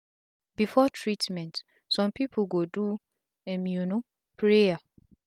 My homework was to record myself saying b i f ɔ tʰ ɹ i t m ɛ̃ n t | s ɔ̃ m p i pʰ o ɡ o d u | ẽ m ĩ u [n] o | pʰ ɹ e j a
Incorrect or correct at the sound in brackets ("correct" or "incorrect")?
correct